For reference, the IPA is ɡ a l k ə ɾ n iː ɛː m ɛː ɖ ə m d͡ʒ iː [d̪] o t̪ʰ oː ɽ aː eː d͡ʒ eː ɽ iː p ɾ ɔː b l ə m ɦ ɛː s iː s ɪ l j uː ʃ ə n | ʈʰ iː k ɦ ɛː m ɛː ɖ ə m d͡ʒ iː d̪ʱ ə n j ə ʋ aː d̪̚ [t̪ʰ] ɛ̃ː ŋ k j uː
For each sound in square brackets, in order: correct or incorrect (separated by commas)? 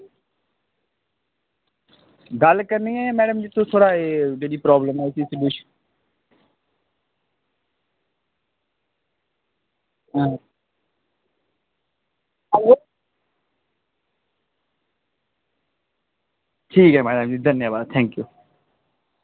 incorrect, correct